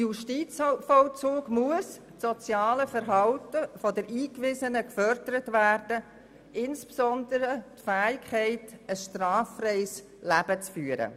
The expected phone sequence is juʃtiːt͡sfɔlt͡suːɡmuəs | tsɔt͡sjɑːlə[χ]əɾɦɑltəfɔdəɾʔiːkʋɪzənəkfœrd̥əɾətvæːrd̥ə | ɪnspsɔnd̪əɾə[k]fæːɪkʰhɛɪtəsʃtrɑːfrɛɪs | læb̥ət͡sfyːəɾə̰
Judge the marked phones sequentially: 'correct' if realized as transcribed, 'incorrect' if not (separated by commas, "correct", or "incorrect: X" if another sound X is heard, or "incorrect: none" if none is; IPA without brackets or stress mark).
incorrect: f, incorrect: t